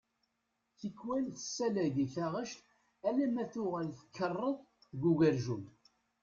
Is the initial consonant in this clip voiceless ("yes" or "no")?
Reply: yes